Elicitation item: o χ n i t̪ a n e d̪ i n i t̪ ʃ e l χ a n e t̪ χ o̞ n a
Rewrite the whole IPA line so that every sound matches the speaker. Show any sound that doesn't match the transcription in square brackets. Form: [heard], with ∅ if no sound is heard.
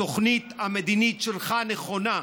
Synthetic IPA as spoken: o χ n i t̪ a [m] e d̪ i n i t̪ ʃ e l χ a n e [∅] χ o̞ n a